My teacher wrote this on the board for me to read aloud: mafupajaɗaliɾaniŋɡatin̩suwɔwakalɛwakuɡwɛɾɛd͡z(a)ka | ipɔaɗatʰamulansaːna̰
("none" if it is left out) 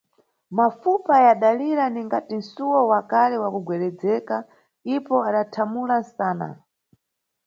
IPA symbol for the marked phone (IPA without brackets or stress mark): ɛ